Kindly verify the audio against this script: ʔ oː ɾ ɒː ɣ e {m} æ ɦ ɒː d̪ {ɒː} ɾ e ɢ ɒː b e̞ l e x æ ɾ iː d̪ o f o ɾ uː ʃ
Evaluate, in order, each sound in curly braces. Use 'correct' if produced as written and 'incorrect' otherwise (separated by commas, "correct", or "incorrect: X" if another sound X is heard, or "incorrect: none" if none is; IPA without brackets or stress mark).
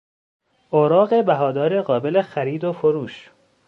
incorrect: b, correct